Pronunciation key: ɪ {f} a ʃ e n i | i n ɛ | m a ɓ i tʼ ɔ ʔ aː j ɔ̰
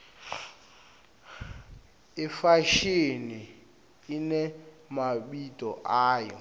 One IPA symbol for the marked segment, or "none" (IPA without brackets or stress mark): f